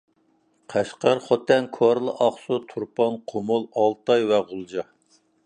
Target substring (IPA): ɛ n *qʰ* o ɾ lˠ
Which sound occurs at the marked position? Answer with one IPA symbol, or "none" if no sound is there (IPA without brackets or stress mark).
kʰ